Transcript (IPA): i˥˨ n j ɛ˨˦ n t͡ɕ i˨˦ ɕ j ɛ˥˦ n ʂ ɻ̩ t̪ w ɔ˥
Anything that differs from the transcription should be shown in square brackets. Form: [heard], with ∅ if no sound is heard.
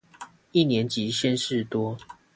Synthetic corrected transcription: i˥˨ n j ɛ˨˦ n t͡ɕ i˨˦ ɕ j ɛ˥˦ n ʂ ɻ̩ t̪ w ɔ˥